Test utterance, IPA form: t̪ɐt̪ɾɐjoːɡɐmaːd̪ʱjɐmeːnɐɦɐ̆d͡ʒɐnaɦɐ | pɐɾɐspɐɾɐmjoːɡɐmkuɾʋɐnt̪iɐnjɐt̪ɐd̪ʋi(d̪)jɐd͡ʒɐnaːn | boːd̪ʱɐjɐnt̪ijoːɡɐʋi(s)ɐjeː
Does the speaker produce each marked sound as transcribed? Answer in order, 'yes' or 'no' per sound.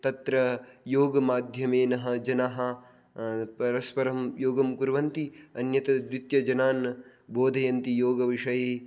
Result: no, no

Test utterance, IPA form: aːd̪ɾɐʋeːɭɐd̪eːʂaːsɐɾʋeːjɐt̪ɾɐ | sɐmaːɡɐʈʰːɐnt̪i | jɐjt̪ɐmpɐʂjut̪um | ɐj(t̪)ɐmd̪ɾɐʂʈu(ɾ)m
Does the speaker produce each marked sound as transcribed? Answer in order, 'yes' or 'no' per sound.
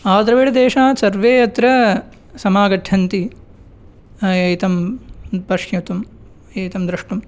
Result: yes, no

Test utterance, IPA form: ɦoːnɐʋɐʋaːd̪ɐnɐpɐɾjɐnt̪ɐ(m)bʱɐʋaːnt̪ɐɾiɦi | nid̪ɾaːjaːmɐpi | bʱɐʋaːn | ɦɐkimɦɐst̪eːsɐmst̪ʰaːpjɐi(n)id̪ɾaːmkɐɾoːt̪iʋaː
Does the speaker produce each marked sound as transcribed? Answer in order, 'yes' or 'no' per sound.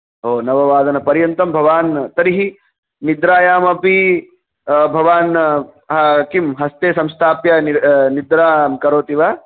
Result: yes, yes

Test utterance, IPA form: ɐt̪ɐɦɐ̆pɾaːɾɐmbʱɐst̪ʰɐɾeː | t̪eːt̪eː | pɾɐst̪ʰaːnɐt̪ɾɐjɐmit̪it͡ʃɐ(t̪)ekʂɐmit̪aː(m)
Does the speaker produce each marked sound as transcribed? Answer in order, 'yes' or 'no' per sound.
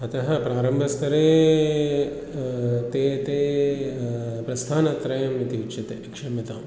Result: yes, yes

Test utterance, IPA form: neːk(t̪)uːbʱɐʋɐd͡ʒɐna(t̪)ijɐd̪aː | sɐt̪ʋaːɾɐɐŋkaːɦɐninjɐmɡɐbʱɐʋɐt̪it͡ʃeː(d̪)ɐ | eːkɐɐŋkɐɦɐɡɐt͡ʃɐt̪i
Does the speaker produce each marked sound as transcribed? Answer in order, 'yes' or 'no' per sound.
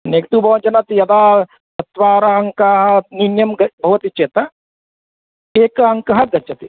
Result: yes, yes, no

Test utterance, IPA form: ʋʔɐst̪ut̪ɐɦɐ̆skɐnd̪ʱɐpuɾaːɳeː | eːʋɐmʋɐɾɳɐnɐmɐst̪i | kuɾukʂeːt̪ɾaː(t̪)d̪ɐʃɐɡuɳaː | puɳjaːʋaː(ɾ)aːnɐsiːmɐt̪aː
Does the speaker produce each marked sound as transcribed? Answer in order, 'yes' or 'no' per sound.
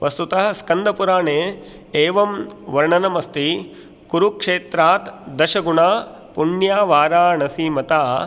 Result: yes, yes

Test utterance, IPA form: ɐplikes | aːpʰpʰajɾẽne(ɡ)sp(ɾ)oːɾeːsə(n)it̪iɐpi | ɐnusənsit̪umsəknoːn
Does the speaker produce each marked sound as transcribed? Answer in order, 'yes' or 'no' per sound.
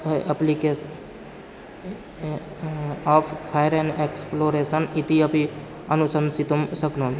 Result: no, no, yes

